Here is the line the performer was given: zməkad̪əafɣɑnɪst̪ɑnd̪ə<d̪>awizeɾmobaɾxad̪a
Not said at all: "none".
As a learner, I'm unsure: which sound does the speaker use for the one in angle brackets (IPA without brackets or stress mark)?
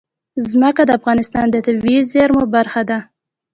t̪